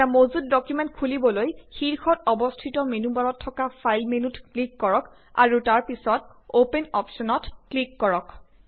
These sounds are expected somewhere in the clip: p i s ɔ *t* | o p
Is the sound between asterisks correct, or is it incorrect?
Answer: correct